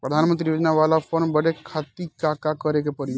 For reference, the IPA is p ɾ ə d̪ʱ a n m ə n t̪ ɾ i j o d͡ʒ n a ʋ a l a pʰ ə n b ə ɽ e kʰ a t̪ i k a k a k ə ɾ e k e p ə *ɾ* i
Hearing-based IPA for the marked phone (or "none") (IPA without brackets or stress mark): ɾ